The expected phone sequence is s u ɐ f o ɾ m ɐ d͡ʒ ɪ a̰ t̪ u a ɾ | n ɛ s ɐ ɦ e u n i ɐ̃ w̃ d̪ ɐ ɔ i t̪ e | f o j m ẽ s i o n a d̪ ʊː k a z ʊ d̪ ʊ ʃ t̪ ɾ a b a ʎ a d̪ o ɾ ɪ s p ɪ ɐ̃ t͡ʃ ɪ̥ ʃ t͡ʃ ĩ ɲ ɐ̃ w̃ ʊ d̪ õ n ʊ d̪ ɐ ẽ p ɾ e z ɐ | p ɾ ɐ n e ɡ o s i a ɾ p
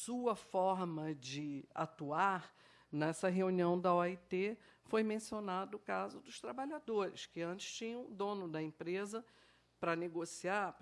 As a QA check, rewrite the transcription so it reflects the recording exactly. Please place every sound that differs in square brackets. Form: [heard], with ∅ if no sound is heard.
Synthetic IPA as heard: s u ɐ f [ɔ] ɾ m ɐ d͡ʒ ɪ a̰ t̪ u a ɾ | n ɛ s ɐ ɦ e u n i ɐ̃ w̃ d̪ ɐ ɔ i t̪ e | f o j m ẽ s i o n a d̪ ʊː k a z ʊ d̪ ʊ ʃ t̪ ɾ a b a ʎ a d̪ o ɾ ɪ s [k] ɪ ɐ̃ t͡ʃ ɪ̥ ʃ t͡ʃ ĩ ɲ ɐ̃ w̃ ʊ d̪ õ n ʊ d̪ ɐ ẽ p ɾ e z ɐ | p ɾ ɐ n e ɡ o s i a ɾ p